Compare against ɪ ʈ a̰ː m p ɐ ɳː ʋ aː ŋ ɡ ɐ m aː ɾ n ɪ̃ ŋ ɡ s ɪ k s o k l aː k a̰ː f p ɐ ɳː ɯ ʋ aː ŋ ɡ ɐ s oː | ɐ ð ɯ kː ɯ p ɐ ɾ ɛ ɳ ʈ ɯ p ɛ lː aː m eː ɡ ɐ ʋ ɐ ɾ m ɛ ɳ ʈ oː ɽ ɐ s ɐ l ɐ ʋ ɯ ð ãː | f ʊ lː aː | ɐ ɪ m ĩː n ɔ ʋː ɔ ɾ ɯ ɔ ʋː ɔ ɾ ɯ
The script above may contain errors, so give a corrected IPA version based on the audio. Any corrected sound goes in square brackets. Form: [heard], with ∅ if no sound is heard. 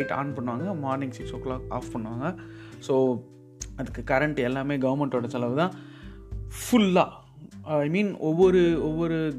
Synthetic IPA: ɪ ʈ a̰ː [n] p ɐ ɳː ʋ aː ŋ ɡ ɐ m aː ɾ n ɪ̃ ŋ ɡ s ɪ k s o k l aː k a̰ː f p ɐ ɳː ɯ ʋ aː ŋ ɡ ɐ s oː | ɐ ð ɯ kː ɯ [k] ɐ ɾ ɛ ɳ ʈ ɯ [∅] ɛ lː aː m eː ɡ ɐ ʋ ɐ ɾ m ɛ ɳ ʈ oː ɽ ɐ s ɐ l ɐ ʋ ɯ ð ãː | f ʊ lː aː | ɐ ɪ m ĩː n ɔ ʋː ɔ ɾ ɯ ɔ ʋː ɔ ɾ ɯ